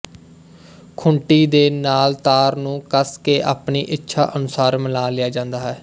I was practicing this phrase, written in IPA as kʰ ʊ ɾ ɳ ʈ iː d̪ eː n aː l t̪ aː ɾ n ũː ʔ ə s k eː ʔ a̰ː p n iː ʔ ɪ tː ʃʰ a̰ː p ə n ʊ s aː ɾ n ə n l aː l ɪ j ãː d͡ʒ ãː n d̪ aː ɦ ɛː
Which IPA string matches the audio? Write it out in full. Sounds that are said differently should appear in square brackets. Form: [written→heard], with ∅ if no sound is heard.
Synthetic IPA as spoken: kʰ ʊ [ɾ→∅] ɳ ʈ iː d̪ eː n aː l t̪ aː ɾ n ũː [ʔ→k] ə s k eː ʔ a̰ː p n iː ʔ ɪ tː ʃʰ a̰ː [p→ʔ] ə n ʊ s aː ɾ [n→m] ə [n→∅] l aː l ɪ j [ãː→aː] d͡ʒ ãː n d̪ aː ɦ ɛː